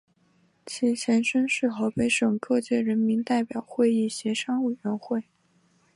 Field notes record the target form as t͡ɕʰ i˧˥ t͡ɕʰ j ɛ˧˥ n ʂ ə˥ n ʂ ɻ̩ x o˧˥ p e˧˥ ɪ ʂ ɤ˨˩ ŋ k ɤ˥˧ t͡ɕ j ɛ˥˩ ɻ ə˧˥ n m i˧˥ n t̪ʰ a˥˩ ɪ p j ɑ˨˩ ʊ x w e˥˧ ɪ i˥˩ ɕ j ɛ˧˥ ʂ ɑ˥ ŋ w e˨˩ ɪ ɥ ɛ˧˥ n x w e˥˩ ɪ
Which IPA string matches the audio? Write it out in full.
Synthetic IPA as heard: t͡ɕʰ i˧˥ t͡ɕʰ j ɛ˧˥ n ʂ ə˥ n ʂ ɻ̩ x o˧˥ p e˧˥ ɪ ʂ ɤ˨˩ ŋ k ɤ˥˧ t͡ɕ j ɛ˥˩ ɻ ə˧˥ n m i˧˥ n t̪ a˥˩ ɪ p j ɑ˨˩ ʊ x w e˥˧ ɪ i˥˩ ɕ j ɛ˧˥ ʂ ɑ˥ ŋ w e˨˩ ɪ ɥ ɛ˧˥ n x w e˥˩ ɪ